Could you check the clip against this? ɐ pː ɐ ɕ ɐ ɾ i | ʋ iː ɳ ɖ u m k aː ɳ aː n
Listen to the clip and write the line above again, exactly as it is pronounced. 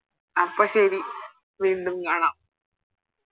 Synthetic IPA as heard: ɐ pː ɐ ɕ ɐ ɾ i | ʋ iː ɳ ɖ u m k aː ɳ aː m